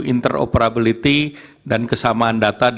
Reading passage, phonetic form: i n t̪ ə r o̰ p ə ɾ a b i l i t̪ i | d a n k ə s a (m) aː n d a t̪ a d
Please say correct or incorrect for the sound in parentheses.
correct